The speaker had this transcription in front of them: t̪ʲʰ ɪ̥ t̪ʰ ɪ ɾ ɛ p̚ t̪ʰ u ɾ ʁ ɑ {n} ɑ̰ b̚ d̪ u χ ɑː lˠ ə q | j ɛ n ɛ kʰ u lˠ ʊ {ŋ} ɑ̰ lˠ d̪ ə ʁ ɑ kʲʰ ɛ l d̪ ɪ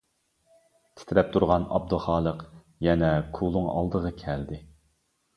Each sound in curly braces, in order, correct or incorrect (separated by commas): correct, correct